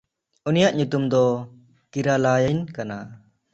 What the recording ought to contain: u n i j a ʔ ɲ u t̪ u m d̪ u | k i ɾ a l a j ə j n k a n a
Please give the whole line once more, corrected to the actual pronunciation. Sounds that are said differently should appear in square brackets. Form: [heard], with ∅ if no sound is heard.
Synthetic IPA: u n i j a ʔ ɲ u t̪ u m d̪ [ɔ] | k i ɾ a l a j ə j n k a n a